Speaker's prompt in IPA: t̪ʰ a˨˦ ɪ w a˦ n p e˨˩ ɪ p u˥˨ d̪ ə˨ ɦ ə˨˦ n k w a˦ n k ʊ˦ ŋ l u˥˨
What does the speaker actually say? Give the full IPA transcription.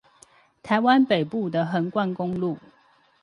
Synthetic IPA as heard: t̪ʰ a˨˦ ɪ w a˦ n p e˨˩ ɪ p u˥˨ d̪ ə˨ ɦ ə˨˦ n k w a˥˨ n k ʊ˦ ŋ l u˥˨